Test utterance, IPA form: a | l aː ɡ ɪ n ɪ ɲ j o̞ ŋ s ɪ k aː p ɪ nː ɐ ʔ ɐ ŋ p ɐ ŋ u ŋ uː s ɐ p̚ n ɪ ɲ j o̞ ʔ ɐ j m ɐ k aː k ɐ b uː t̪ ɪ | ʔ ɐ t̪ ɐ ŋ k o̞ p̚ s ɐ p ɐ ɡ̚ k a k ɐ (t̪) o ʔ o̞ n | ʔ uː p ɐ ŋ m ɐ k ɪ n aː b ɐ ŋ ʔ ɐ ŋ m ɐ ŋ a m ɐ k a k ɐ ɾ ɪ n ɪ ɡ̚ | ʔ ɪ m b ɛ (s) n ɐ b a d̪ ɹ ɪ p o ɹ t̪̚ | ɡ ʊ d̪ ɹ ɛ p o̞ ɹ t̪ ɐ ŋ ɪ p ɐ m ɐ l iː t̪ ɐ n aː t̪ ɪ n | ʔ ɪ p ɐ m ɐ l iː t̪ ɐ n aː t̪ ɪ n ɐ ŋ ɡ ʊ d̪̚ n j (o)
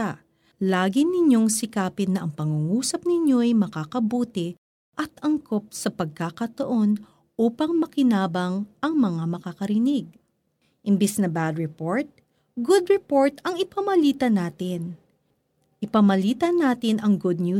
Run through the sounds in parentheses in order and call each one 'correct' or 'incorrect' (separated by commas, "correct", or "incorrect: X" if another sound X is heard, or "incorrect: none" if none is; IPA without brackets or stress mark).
correct, correct, incorrect: u